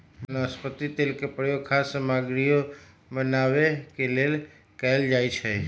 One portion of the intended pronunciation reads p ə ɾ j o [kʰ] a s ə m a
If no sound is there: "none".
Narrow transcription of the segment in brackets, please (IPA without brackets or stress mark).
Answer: kʰ